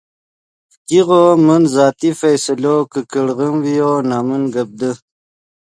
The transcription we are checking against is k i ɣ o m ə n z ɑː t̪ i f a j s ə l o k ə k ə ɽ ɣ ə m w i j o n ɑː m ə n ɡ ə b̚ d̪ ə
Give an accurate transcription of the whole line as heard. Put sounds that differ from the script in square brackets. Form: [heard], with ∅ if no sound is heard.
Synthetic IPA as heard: k i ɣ o m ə n z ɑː t̪ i f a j s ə l o k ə k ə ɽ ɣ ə m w i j o n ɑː m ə n ɡ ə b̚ d̪ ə